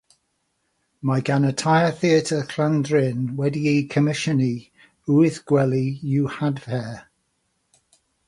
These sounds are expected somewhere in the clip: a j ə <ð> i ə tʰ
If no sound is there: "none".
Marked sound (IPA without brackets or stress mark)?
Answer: θ